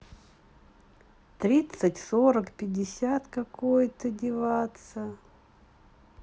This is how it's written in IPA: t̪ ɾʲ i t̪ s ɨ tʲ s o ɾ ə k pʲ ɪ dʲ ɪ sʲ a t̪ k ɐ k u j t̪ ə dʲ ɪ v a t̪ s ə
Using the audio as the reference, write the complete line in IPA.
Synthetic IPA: t̪ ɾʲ i t̪ s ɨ tʲ s o ɾ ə k pʲ ɪ dʲ ɪ sʲ a t̪ k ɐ k o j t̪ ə dʲ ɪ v a t̪ s ə